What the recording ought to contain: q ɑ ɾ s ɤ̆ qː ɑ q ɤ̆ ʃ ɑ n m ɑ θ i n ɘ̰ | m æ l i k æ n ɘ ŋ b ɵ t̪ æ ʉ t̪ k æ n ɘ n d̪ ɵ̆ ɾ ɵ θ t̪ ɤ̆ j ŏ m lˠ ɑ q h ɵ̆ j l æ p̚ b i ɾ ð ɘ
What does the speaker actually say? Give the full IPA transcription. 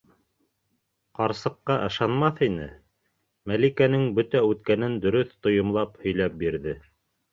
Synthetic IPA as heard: q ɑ ɾ s ɤ̆ qː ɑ ʔ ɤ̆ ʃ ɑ n m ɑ θ i n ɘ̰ | m æ l i k æ n ɘ ŋ b ɵ t̪ æ ʉ t̪ k æ n ɘ n d̪ ɵ̆ ɾ ɵ θ t̪ ŏ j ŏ m lˠ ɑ p h ɵ̆ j l æ p̚ b i ɾ ð ɘ